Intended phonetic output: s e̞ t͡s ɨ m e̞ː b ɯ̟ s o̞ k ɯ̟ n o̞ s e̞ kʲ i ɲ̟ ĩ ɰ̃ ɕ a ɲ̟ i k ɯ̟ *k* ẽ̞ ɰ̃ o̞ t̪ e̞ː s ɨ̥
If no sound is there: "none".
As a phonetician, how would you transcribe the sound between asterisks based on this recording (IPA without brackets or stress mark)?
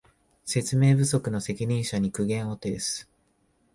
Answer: ɡ